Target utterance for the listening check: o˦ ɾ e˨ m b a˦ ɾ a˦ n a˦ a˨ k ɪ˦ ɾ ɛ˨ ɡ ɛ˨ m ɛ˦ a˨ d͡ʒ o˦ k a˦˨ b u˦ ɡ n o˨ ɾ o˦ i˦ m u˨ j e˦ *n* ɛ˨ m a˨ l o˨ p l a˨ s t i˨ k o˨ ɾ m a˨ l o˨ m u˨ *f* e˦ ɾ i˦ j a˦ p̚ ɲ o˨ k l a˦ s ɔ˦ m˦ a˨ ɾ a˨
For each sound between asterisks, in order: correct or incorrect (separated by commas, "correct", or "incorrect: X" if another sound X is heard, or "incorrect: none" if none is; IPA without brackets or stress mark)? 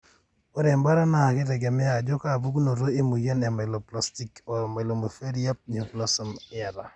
correct, correct